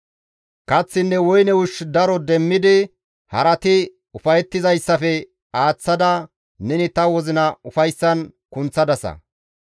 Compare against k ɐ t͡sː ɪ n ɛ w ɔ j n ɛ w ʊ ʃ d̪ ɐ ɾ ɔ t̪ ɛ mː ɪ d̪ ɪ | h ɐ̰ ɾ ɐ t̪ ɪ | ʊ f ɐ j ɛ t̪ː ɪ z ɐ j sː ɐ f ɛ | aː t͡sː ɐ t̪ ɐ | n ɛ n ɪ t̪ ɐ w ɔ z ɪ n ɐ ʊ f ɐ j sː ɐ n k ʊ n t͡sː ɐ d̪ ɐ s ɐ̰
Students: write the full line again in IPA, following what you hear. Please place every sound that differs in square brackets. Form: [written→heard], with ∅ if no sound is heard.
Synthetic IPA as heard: k ɐ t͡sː ɪ [n→nː] ɛ w ɔ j n ɛ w ʊ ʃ d̪ ɐ ɾ ɔ [t̪→d̪] ɛ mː ɪ d̪ ɪ | h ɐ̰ ɾ ɐ t̪ ɪ | ʊ f ɐ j ɛ t̪ː ɪ z ɐ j sː ɐ f ɛ | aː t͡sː ɐ [t̪→d̪] ɐ | n ɛ n ɪ t̪ ɐ w ɔ z ɪ n ɐ ʊ f ɐ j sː ɐ n k ʊ n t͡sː ɐ d̪ ɐ s ɐ̰